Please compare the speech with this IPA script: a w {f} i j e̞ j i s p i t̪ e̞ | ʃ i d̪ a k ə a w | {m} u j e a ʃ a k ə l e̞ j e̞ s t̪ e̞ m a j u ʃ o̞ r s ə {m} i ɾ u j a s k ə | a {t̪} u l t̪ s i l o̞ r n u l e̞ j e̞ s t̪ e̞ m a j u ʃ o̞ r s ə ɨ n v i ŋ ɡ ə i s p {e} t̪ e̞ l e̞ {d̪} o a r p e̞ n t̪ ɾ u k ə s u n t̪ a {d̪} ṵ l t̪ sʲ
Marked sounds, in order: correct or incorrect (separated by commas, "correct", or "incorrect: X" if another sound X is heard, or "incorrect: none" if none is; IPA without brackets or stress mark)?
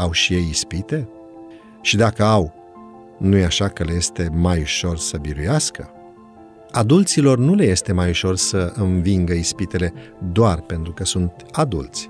incorrect: ʃ, incorrect: n, incorrect: b, incorrect: d̪, incorrect: i, correct, correct